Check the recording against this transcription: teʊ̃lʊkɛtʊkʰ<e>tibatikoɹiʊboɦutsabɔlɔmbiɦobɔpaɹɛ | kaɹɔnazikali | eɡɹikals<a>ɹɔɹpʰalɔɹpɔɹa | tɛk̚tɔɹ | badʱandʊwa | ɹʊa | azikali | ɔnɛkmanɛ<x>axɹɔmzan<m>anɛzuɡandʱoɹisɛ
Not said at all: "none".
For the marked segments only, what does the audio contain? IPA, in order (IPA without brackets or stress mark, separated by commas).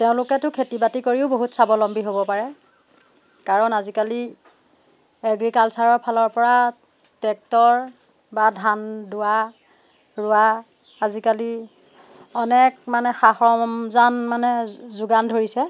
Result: e, a, x, m